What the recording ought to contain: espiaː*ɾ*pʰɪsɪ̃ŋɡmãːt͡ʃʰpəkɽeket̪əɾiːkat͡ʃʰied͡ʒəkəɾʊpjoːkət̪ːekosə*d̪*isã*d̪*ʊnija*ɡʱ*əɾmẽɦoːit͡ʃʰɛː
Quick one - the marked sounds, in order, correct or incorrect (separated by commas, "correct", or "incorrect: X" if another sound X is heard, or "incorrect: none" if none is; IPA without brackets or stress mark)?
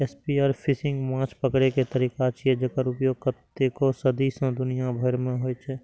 correct, correct, correct, incorrect: bʱ